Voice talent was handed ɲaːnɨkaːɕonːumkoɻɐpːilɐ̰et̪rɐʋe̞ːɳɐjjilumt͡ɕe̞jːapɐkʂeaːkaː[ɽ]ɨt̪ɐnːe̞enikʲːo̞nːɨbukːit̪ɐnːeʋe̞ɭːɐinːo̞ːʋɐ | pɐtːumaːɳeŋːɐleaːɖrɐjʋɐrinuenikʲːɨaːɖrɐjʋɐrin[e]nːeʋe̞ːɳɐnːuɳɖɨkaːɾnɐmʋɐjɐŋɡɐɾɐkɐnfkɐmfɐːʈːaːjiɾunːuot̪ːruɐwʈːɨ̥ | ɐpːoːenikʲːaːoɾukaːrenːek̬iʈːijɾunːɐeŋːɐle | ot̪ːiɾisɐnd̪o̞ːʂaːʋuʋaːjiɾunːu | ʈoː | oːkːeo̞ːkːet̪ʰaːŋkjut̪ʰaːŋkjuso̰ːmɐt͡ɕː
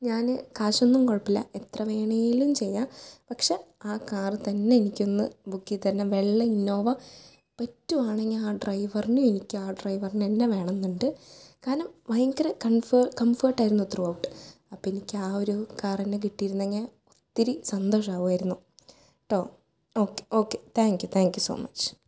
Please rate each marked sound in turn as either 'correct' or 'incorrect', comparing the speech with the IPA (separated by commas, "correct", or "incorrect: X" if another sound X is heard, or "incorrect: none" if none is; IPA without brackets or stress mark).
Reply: incorrect: r, correct